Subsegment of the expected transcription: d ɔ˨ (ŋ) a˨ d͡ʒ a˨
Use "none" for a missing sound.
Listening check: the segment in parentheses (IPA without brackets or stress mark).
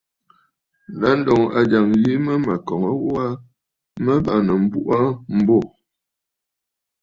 ŋ